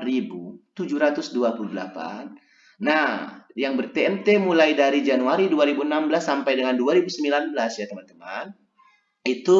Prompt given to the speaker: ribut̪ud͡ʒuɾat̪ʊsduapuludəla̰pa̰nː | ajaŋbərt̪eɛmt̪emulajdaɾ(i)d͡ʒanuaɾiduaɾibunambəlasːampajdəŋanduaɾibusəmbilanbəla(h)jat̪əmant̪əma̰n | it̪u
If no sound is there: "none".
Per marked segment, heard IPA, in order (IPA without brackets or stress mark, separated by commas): i, s